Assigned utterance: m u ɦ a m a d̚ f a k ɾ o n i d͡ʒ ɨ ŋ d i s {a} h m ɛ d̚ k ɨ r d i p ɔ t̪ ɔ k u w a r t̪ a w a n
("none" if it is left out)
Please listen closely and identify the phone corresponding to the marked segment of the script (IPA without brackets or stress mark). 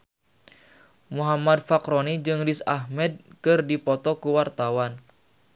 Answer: a